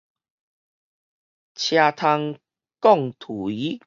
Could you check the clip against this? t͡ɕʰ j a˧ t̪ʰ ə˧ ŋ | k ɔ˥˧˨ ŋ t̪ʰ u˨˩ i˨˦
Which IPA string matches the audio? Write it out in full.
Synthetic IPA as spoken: t͡ɕʰ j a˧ t̪ʰ a˧ ŋ | k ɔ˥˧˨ ŋ t̪ʰ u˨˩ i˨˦